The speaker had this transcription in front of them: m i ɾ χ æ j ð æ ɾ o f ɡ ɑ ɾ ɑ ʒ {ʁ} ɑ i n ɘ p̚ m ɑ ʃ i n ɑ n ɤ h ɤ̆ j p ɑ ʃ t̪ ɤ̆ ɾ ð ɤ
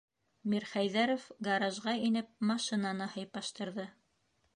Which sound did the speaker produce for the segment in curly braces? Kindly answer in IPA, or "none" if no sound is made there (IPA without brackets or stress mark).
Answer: ʁ